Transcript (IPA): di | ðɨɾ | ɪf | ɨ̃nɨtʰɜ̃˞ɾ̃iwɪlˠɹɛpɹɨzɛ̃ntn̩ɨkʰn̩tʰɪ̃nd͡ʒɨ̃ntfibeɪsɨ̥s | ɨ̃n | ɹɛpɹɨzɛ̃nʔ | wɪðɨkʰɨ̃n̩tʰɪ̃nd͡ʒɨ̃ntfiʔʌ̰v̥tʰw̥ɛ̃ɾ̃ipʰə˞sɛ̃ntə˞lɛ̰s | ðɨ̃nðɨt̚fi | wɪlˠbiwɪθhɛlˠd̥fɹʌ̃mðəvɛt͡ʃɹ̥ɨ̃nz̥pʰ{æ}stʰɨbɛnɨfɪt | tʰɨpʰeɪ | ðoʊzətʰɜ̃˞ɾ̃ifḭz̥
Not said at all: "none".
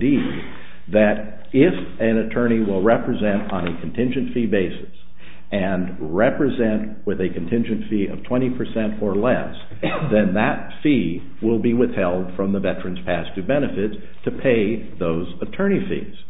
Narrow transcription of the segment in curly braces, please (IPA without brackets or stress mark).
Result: æ